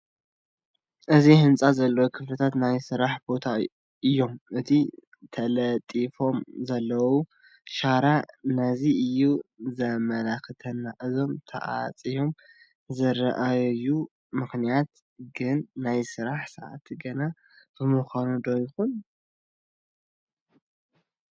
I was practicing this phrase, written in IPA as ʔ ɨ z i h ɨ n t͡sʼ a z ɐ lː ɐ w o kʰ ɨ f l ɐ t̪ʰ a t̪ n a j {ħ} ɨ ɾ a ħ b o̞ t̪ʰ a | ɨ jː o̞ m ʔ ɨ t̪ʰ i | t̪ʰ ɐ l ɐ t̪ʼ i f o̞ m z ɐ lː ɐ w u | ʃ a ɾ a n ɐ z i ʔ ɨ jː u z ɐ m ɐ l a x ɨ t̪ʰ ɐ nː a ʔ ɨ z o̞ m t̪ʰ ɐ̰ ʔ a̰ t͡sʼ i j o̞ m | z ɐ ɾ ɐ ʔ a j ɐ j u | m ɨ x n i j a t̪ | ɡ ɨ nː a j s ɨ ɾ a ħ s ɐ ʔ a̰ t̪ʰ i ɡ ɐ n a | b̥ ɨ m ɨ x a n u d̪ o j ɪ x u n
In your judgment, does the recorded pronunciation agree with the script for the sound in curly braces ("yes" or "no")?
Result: no